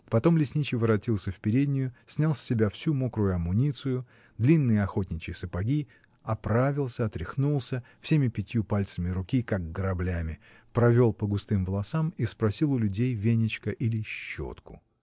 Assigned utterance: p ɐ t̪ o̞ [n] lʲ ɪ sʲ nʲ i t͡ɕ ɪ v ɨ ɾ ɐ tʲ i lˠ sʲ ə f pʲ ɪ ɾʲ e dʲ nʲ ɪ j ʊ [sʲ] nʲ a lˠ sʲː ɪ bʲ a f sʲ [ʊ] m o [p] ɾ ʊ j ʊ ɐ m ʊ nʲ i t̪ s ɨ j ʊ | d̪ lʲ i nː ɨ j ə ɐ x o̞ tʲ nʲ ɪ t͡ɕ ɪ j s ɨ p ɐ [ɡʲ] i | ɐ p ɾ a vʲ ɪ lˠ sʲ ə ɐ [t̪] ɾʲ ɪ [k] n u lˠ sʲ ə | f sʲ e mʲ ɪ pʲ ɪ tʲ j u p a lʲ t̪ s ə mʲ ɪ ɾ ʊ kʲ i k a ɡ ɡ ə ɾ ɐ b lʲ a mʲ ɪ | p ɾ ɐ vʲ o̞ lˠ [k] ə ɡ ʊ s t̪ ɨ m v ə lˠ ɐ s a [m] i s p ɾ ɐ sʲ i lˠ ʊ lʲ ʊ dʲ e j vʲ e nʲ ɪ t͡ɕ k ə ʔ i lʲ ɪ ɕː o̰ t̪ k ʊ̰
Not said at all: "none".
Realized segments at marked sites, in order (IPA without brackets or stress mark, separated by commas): m, sʲ, u, k, ɡʲ, t̪, x, p, m